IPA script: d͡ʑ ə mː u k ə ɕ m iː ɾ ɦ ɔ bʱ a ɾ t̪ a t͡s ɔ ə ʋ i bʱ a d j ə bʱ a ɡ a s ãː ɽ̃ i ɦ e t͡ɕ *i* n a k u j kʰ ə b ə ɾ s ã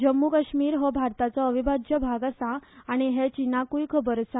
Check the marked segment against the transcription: correct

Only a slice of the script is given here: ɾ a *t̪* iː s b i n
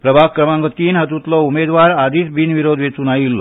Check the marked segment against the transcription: incorrect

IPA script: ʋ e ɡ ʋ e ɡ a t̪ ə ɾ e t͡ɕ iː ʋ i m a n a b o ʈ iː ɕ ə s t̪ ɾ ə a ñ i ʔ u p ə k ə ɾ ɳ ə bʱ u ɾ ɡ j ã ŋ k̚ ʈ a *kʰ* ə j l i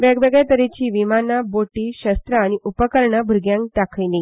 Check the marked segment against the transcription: correct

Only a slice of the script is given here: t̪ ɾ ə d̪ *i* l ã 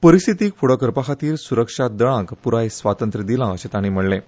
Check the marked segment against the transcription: correct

